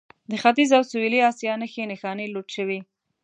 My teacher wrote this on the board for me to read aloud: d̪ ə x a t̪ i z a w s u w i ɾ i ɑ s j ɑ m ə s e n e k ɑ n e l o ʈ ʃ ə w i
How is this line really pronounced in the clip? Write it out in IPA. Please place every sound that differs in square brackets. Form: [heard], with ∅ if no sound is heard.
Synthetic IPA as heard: d̪ ə x a t̪ i z a w s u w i [l] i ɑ s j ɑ [n] ə [x] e n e [x] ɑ n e l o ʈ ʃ ə w i